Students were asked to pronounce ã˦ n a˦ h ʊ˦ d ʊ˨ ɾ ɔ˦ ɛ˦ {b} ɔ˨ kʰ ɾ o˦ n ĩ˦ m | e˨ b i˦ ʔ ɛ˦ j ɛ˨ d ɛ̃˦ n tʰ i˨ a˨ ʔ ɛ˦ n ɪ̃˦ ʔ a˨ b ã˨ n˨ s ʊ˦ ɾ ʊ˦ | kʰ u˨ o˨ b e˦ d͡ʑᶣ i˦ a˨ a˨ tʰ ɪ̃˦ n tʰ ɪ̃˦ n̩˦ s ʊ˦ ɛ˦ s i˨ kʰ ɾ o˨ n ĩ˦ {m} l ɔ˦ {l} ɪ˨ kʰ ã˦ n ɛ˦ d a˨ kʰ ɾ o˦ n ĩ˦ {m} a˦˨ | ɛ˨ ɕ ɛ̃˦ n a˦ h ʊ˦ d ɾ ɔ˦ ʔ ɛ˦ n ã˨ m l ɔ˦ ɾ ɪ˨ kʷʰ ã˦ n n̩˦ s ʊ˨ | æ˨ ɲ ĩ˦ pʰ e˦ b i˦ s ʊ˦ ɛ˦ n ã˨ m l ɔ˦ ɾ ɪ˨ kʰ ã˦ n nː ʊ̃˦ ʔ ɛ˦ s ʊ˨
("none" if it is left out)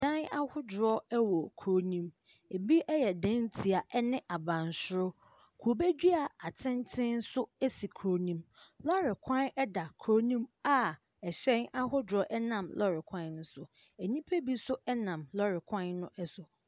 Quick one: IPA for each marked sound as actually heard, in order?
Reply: w, m, ɾ, m

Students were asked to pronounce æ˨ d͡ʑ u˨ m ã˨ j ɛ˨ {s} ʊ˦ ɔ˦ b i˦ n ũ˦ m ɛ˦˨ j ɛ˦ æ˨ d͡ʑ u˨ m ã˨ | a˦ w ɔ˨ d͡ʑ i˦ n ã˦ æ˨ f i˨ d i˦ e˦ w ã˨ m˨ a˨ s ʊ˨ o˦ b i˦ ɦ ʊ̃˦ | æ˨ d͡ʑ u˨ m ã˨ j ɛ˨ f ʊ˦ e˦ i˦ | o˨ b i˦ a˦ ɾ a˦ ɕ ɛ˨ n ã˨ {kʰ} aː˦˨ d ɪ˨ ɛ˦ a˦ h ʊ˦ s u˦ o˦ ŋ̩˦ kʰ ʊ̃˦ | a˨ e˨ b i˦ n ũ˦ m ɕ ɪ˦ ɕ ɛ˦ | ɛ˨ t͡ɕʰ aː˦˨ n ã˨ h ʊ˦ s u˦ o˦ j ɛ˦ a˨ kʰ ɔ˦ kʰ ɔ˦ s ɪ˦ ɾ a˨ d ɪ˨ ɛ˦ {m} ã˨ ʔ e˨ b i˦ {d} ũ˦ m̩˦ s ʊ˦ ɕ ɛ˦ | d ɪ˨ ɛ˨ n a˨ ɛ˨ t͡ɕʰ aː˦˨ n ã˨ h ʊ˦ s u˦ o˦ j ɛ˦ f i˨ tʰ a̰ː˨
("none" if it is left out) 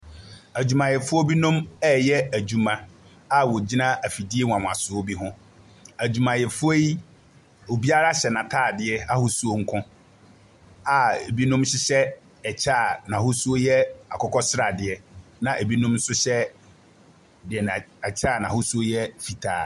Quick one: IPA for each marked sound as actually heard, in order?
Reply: f, tʰ, n, n

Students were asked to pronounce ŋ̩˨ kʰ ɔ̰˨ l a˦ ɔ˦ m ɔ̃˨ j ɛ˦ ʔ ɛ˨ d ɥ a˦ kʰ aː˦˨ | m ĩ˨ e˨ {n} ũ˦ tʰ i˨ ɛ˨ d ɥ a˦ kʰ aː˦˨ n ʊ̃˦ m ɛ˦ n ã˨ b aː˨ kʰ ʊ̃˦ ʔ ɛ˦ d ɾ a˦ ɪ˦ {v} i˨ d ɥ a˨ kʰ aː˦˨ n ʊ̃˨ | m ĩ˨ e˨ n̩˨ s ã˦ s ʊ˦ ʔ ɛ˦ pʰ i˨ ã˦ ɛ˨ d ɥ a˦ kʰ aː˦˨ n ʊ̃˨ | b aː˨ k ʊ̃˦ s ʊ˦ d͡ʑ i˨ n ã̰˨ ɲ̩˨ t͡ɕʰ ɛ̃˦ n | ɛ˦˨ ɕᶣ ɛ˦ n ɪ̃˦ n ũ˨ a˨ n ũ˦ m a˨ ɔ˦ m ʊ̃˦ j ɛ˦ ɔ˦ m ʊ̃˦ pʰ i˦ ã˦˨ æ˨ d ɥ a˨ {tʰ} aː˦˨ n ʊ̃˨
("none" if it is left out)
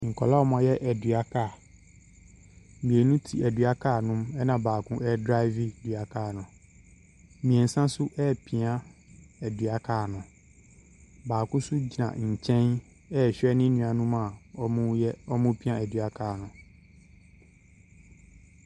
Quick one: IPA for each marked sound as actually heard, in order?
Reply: n, v, kʰ

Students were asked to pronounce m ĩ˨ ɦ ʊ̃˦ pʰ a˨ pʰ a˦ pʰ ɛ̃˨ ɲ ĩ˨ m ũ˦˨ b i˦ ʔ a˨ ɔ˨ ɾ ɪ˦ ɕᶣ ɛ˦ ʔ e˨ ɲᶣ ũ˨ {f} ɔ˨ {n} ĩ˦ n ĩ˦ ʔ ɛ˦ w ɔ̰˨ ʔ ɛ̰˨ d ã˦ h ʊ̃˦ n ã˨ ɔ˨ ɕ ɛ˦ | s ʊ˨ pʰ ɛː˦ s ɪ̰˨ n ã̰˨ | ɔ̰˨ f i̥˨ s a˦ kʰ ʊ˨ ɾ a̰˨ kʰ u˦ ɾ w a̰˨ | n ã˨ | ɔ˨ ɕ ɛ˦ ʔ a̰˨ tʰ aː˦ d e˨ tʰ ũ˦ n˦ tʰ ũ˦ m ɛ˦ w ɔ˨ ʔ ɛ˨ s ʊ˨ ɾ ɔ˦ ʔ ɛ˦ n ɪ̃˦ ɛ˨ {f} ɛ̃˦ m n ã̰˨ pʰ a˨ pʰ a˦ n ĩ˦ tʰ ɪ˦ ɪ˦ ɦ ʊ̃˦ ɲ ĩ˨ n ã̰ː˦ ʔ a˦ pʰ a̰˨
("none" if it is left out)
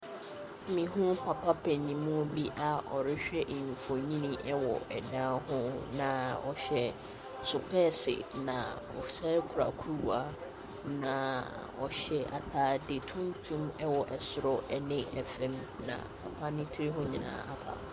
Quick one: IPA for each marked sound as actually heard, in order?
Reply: f, ɲ, f

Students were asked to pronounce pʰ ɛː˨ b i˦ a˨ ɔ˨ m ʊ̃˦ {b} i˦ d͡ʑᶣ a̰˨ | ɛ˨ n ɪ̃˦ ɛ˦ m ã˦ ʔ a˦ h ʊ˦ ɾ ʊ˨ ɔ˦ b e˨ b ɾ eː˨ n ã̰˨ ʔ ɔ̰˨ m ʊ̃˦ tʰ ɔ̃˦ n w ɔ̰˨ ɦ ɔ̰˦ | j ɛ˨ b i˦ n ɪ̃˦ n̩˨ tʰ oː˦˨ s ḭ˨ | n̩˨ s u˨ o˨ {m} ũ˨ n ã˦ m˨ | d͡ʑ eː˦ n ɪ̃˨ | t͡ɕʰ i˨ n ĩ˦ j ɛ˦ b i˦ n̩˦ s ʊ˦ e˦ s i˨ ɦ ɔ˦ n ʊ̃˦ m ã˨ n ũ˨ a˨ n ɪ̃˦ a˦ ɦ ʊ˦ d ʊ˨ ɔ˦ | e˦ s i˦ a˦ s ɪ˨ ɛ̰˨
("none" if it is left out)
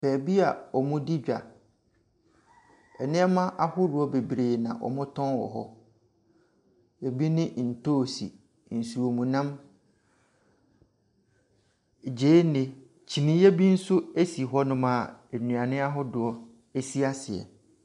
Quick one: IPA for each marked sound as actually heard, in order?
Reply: d, m

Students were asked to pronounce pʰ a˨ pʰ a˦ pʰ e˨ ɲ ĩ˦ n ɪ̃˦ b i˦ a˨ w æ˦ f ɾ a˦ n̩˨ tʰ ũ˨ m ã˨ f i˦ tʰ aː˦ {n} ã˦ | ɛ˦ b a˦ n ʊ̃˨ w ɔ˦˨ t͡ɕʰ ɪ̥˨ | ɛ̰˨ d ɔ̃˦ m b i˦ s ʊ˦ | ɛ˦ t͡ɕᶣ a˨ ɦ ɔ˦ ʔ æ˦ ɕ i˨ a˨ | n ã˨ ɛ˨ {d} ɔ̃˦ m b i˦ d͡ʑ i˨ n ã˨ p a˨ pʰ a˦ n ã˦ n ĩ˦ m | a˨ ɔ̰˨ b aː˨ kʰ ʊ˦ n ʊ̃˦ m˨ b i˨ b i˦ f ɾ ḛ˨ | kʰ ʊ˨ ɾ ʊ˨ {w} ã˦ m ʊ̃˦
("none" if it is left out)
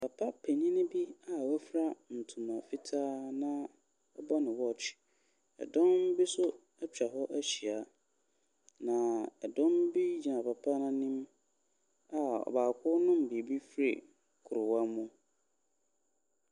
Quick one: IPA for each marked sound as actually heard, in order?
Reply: n, d, w

